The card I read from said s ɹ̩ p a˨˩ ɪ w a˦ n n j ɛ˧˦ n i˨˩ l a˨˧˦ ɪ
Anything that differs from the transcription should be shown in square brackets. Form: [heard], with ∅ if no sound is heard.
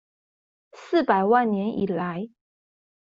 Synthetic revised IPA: s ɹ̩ p a˨˩ ɪ w [a˥˩˨] n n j ɛ˧˦ n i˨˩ l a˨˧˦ ɪ